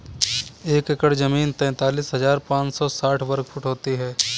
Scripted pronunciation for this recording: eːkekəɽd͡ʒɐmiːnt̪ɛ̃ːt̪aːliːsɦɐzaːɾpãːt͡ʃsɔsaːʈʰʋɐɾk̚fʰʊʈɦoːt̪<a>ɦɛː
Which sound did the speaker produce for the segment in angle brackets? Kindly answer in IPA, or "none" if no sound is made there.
i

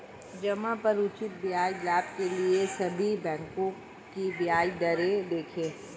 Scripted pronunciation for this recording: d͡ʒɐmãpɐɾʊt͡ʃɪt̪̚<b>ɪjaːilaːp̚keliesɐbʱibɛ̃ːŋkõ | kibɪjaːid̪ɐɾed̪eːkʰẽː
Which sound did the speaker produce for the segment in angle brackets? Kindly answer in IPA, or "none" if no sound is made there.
b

